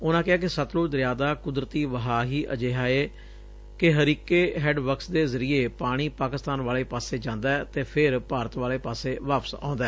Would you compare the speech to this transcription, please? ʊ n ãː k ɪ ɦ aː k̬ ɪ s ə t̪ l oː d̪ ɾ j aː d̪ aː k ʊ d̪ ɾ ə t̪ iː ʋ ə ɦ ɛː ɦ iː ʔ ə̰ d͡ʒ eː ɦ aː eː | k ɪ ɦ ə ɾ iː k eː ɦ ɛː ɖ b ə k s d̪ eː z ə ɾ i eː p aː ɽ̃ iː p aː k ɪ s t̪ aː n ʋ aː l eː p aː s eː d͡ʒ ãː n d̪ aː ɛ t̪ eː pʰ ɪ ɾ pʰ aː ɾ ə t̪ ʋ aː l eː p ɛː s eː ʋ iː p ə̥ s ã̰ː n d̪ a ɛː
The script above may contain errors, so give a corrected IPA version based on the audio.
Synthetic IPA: ʊ n ãː k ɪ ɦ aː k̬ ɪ s ə t̪ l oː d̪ ɾ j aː d̪ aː k ʊ d̪ ɾ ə t̪ iː ʋ ə ɦ aː ɦ iː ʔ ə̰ d͡ʒ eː ɦ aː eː | k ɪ ɦ ə ɾ iː k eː ɦ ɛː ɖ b ə k s d̪ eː z ə ɾ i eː p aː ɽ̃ iː p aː k ɪ s t̪ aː n ʋ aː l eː p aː s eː d͡ʒ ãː n d̪ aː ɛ t̪ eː pʰ ɪ ɾ p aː ɾ ə t̪ ʋ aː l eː p aː s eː ʋ aː p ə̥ s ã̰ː n d̪ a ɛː